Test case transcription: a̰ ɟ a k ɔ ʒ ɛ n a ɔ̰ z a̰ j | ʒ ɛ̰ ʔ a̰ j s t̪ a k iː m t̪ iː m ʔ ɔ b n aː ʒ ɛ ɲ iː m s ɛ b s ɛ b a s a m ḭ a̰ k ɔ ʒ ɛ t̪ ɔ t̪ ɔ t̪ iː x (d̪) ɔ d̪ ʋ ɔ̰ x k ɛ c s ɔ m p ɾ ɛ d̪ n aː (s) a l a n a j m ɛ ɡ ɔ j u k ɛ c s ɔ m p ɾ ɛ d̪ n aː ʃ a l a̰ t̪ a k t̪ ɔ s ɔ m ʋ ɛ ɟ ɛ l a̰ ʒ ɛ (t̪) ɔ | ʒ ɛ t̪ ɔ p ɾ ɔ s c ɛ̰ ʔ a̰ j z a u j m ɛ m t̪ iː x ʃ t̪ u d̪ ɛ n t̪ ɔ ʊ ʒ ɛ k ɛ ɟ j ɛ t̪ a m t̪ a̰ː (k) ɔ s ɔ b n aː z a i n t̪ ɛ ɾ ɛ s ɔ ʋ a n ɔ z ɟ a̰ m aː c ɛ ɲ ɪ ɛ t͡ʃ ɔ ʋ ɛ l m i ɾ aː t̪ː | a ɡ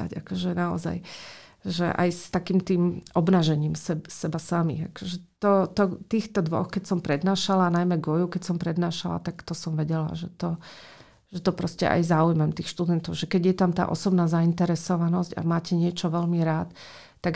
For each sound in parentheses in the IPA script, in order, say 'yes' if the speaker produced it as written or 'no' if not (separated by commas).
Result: no, no, yes, no